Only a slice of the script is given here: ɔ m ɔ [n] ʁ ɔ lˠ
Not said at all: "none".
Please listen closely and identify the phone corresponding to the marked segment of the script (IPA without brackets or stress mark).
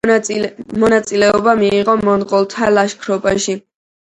n